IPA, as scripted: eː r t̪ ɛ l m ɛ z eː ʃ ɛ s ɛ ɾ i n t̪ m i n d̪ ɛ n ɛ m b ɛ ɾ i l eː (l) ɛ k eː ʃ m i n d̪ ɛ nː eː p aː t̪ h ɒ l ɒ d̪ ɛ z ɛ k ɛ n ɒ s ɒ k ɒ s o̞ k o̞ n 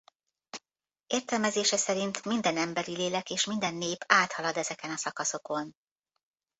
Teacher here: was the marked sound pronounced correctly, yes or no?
yes